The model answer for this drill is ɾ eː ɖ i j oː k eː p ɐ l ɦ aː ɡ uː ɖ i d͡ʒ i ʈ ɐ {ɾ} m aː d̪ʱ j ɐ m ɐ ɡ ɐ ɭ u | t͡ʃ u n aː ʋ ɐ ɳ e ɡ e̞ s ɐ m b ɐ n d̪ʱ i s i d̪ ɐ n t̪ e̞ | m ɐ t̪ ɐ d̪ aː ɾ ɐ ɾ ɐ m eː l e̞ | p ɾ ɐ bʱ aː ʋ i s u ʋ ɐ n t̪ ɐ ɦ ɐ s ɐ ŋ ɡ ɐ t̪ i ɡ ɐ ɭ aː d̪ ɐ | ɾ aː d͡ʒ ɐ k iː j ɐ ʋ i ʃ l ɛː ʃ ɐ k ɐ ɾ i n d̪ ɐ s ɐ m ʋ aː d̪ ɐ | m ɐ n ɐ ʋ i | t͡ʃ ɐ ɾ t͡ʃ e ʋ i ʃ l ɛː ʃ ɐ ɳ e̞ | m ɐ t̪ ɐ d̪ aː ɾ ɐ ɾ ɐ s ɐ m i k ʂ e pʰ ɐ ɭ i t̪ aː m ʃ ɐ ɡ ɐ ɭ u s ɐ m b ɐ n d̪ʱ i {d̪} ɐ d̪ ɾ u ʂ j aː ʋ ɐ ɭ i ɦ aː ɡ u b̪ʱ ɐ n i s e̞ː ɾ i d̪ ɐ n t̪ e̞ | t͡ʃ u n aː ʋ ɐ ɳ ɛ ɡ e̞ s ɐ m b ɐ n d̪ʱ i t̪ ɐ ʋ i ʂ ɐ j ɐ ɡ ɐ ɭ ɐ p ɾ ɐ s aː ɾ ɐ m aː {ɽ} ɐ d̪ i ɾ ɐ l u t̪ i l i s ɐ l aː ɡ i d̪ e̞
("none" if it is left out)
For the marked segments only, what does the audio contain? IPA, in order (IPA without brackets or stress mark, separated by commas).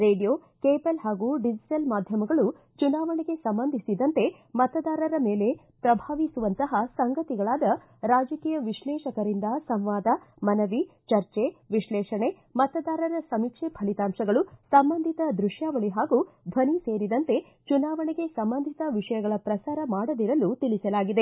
l, t̪, ɽ